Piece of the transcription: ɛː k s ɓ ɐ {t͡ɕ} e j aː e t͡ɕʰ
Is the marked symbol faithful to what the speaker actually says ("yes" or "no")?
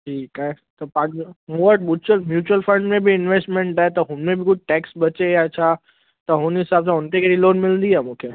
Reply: yes